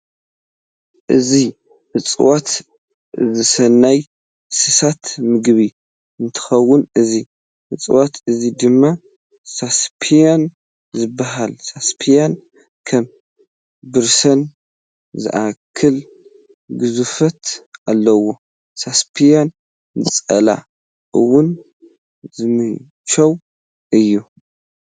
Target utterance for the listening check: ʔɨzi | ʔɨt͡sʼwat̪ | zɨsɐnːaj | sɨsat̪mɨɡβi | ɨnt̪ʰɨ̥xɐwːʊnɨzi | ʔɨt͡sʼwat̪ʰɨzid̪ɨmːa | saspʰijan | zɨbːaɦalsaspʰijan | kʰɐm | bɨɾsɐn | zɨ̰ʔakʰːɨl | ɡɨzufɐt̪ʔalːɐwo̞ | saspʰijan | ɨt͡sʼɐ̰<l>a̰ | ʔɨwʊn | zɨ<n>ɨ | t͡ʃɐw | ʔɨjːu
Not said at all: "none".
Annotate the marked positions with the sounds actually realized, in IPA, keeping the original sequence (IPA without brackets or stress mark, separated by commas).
l, m